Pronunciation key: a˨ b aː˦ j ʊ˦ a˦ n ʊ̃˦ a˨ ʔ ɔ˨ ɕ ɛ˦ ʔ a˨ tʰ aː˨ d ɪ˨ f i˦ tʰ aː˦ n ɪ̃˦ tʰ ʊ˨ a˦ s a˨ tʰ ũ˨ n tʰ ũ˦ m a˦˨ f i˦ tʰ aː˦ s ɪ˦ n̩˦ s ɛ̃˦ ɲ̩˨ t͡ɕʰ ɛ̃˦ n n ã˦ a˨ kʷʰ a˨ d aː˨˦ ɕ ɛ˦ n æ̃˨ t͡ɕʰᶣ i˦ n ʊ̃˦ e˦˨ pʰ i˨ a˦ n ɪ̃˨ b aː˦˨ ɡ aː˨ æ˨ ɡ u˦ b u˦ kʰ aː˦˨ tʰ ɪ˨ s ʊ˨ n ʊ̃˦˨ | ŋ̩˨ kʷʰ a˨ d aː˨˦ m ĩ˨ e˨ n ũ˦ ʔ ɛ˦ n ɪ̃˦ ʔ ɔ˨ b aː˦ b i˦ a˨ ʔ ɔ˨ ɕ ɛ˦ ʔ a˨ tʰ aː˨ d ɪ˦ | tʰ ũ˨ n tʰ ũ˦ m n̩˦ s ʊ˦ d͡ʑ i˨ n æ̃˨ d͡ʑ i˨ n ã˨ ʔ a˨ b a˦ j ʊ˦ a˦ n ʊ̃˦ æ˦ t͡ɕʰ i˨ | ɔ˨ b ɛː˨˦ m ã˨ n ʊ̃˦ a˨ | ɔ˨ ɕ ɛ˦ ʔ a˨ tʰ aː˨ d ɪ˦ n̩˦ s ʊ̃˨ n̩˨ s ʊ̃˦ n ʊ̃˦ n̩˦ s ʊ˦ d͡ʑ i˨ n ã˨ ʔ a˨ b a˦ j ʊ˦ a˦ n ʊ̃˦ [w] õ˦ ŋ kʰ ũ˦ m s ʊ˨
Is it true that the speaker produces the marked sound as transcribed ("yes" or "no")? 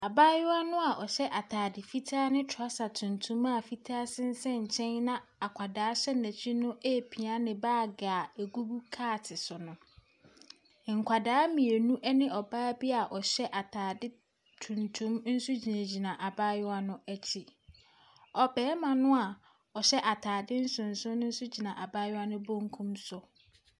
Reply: no